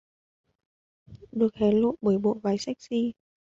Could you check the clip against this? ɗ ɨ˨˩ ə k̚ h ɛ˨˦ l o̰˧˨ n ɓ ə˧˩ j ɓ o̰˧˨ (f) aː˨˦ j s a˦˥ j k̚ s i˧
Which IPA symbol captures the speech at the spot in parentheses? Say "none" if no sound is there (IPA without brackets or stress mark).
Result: v